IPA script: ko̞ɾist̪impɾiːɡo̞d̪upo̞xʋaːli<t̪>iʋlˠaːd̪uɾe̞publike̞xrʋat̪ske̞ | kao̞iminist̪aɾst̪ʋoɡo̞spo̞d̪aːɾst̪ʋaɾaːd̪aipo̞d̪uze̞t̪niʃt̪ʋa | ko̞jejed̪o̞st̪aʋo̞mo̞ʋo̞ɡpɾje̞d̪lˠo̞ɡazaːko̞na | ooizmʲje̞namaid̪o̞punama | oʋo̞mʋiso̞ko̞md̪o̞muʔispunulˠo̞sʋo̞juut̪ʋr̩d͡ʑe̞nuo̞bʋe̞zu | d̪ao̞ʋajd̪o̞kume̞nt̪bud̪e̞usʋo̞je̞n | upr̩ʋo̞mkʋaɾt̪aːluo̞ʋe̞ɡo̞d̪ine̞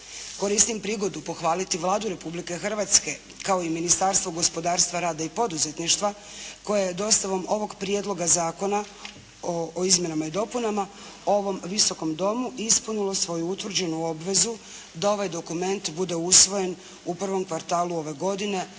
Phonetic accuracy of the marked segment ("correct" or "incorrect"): correct